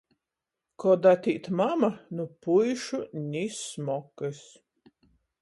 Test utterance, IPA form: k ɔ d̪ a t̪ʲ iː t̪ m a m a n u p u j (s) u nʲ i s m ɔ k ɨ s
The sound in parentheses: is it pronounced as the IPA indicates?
no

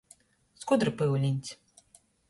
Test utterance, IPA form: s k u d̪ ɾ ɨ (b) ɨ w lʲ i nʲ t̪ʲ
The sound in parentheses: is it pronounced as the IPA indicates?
no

